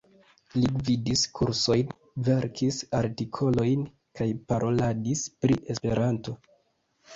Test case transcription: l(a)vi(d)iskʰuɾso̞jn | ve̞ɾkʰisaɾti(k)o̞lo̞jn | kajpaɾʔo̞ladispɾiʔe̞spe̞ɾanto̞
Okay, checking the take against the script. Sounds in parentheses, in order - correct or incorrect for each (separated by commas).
incorrect, correct, incorrect